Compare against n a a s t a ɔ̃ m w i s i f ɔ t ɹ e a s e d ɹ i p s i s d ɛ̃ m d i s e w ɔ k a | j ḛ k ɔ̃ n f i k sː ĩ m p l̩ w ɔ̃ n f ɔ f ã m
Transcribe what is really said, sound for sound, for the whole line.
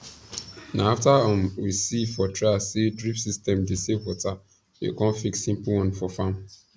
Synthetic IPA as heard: n a a f t a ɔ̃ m w i s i f ɔ t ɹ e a s e d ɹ i p s i s t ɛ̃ m d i s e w ɔ t a | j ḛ k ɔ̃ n f i k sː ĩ m p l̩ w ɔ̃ n f ɔ f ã m